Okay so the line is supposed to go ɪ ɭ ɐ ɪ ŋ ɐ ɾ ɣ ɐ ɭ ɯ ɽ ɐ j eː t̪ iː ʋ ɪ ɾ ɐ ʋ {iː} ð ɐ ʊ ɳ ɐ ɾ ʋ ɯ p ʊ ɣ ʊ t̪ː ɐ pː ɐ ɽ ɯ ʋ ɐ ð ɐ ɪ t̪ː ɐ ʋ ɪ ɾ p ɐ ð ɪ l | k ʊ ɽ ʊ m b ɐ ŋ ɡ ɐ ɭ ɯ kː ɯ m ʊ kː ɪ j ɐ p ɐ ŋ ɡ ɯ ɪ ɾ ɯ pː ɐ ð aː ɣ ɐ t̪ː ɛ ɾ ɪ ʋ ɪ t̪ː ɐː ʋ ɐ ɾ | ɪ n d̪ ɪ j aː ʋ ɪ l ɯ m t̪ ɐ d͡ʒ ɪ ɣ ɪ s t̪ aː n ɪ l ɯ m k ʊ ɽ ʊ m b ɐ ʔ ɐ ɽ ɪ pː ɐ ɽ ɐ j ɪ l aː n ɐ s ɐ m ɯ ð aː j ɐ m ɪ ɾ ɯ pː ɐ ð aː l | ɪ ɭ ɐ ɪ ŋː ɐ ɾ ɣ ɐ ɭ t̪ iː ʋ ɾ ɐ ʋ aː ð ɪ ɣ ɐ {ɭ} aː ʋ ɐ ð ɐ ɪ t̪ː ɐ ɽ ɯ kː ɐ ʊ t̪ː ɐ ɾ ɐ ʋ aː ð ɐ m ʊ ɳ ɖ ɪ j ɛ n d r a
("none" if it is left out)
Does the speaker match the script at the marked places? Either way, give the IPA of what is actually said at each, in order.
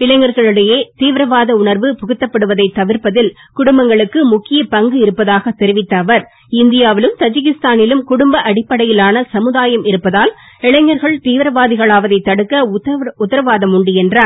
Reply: aː, ɭ

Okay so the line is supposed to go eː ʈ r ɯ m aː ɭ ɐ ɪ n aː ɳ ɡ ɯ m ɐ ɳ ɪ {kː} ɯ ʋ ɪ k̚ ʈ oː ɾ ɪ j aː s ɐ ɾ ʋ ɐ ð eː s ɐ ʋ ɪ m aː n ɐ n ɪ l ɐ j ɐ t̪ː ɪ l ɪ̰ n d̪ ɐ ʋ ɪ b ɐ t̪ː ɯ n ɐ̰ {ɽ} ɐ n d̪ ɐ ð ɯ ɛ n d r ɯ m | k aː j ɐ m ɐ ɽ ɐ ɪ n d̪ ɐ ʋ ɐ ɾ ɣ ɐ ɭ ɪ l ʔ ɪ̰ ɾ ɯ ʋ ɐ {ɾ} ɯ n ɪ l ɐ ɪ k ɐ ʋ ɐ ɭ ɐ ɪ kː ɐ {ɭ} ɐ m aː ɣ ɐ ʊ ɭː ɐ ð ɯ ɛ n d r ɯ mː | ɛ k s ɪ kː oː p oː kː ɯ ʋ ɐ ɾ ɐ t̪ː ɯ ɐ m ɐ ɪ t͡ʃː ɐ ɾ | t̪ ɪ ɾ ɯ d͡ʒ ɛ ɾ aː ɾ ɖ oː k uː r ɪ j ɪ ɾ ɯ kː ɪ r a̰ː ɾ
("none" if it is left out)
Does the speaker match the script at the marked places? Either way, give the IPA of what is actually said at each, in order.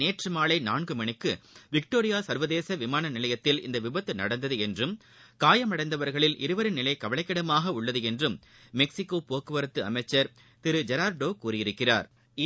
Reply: kː, ɽ, ɾ, ɽ

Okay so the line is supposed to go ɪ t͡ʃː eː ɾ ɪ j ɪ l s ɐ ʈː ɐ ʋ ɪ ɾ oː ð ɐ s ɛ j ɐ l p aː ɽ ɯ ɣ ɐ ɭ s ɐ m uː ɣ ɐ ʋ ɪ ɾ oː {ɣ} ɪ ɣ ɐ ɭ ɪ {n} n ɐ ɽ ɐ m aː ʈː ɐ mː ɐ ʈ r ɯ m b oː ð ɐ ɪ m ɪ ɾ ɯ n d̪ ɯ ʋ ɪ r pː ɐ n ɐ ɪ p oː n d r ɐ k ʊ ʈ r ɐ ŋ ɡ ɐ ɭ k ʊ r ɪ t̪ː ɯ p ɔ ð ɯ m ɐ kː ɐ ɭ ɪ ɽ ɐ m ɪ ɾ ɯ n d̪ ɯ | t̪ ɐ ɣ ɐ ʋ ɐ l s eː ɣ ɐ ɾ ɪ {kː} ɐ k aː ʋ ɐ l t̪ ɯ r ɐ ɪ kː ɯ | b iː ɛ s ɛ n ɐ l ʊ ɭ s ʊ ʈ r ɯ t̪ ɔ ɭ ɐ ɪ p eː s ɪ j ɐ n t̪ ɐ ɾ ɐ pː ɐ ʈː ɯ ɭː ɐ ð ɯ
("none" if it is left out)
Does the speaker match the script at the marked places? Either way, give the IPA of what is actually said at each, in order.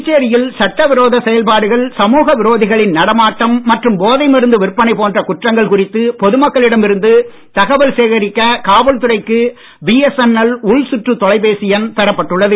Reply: ð, n, kː

